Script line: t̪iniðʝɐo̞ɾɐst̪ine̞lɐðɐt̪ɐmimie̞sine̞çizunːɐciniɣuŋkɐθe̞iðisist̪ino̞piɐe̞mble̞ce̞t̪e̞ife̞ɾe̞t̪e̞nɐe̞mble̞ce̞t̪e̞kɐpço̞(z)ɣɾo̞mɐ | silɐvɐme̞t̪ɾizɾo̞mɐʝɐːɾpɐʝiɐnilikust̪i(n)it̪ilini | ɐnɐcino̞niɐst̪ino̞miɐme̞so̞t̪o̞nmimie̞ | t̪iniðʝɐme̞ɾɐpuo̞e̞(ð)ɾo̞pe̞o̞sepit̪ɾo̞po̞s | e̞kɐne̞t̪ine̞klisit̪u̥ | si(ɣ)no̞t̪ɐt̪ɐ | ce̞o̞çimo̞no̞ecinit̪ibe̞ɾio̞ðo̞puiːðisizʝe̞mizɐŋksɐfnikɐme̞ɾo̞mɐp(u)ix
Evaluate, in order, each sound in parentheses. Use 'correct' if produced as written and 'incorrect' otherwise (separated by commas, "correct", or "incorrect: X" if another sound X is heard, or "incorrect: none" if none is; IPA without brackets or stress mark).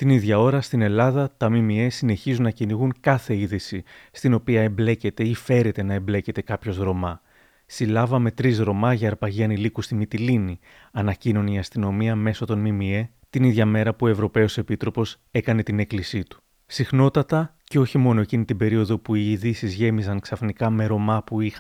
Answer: correct, incorrect: m, incorrect: v, incorrect: x, correct